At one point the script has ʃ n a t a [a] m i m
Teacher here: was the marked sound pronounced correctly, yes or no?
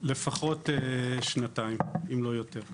no